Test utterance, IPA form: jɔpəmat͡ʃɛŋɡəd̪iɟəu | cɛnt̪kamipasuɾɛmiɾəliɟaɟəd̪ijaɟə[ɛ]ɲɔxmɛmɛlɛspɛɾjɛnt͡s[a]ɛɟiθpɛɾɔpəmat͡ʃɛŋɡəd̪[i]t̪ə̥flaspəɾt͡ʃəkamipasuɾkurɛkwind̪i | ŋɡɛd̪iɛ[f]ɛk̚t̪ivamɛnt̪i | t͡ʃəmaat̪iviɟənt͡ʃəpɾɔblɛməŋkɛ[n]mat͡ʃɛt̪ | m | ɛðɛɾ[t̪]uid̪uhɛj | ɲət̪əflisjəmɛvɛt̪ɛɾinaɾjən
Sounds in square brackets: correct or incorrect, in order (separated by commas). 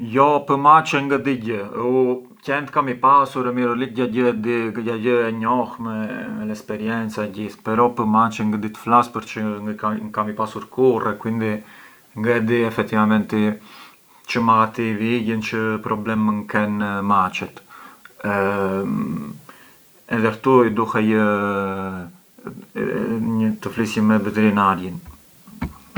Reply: correct, correct, correct, correct, correct, correct